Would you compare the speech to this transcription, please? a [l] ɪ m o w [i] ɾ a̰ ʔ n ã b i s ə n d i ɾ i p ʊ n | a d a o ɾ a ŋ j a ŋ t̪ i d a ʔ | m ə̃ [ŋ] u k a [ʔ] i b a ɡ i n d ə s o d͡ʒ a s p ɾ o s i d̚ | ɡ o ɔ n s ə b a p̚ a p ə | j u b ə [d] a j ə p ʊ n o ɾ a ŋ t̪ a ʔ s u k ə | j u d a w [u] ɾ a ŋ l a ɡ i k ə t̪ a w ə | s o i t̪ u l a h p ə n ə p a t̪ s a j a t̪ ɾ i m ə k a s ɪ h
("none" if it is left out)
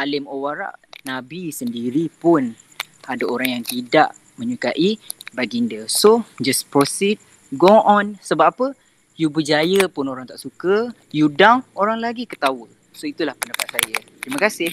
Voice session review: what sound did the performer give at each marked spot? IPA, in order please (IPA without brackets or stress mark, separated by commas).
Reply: l, a, ɲ, ʔ, d͡ʒ, o